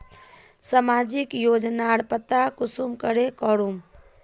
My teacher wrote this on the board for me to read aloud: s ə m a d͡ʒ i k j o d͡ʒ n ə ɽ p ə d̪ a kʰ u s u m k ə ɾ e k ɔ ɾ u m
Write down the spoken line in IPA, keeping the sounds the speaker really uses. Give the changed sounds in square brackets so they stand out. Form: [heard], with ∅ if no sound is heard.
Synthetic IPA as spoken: s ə m a d͡ʒ i k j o d͡ʒ n [a] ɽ p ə [t̪] a [k] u s u m k ə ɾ e k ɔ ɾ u m